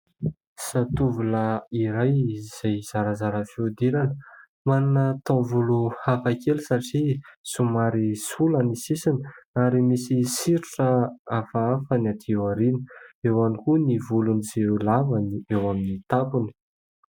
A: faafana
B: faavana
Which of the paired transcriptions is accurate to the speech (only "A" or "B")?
A